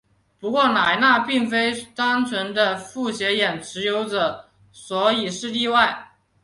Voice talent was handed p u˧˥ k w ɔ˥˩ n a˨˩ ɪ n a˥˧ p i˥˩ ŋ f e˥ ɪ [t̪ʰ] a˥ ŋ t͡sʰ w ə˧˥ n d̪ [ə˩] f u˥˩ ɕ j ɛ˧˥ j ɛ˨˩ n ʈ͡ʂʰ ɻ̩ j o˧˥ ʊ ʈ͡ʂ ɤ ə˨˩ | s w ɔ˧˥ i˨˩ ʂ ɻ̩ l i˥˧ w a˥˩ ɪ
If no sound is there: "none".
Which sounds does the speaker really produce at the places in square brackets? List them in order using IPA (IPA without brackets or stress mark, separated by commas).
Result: t̪, ə˧